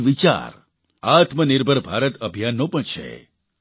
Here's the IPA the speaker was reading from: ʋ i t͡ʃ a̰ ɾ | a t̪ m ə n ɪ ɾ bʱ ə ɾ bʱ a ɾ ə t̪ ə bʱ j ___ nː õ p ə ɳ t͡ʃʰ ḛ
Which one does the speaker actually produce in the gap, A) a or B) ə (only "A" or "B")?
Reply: A